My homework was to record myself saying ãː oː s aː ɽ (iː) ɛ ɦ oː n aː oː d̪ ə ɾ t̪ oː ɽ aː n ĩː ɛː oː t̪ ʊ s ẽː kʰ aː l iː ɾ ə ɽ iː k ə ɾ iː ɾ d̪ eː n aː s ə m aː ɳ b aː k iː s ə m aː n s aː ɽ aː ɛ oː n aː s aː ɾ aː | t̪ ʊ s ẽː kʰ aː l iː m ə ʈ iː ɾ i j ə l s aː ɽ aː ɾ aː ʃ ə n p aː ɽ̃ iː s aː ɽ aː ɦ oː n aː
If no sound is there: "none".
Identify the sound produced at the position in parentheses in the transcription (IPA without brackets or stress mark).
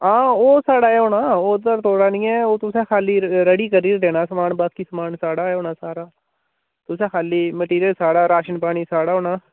aː